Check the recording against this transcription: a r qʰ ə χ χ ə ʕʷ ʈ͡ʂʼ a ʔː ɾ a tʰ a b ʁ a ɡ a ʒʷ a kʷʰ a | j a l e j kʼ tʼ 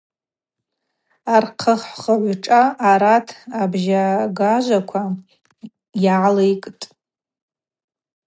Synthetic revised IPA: a r qʰ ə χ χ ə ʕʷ ʈ͡ʂʼ a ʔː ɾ a tʰ a b ʒ a ɡ a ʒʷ a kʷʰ a | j a l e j kʼ tʼ

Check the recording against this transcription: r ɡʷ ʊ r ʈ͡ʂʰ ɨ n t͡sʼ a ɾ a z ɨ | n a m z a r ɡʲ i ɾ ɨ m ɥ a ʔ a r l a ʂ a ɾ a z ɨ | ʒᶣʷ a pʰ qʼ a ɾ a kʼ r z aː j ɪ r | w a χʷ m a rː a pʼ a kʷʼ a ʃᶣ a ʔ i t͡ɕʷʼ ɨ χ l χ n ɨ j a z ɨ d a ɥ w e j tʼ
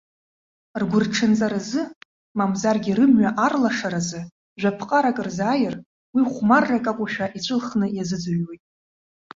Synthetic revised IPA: r ɡʷ ʊ r ʈ͡ʂʰ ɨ n t͡sʼ a ɾ a z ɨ | m a m z a r ɡʲ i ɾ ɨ m ɥ a ʔ a r l a ʂ a ɾ a z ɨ | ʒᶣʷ a pʰ qʼ a ɾ a kʼ r z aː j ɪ r | w i χʷ m a rː a kʼ a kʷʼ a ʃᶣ a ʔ i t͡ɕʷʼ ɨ l χ n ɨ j a z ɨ d͡z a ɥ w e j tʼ

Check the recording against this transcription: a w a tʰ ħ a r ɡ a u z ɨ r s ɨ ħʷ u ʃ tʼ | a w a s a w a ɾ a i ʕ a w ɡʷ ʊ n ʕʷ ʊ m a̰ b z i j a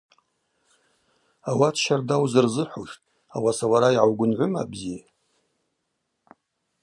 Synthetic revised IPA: a w a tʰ ʃ a r d a w z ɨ r z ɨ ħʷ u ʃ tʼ | a w a s a w a ɾ a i ʕ a w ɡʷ ʊ n ʕʷ ʊ m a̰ b z i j a

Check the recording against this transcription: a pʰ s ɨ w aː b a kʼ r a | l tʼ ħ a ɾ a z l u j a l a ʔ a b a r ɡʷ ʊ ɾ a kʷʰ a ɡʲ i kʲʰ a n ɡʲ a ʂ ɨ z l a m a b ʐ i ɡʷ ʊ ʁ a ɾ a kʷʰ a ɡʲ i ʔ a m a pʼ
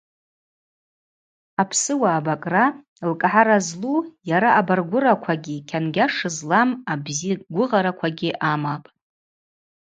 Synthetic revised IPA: a pʰ s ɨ w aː b a kʼ r a | l kʼ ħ a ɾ a z l u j a ɾ a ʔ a b a r ɡʷ ʊ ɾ a kʷʰ a ɡʲ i kʲʰ a n ɡʲ a ʂ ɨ z l a m a b z i ɡʷ ʊ ʁ a ɾ a kʷʰ a ɡʲ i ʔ a m a pʼ

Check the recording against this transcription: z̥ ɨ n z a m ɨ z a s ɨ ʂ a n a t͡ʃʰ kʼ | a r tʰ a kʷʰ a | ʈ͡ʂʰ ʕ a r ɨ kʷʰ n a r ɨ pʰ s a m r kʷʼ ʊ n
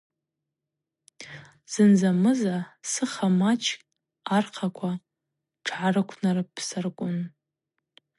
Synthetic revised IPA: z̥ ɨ n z a m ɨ z a s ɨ χ a m a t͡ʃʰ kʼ | a r qʰ a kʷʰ a | ʈ͡ʂʰ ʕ a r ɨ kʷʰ n a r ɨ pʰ s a r kʷʼ ʊ n

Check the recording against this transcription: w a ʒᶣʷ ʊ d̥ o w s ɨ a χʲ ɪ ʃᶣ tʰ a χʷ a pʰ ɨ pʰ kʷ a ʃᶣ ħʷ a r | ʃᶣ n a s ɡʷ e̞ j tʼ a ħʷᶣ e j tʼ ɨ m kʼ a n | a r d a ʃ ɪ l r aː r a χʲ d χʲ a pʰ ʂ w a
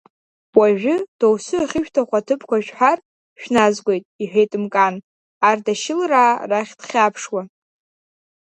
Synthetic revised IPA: w a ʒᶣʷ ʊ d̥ o w s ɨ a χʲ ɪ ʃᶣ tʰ a χʷ a tʰ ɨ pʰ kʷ a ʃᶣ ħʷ a r | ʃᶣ n a z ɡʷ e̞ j tʼ i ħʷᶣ e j tʼ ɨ m kʼ a n | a r d a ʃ ɪ l r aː r a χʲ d χʲ a pʰ ʂ w a

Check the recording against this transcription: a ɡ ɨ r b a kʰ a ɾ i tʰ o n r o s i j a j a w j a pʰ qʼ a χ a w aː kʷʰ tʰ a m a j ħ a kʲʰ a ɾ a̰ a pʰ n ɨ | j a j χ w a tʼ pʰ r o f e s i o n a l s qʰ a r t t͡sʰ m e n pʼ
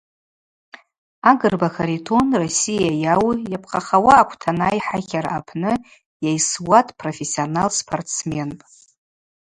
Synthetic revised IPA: a ɡ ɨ r b a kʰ a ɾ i tʰ o n r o s i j a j a w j a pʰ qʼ a χ a w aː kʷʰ tʰ a n a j ħ a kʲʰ a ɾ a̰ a pʰ n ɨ | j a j s w a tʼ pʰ r o f e s i o n a l s pʰ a r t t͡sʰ m e n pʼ

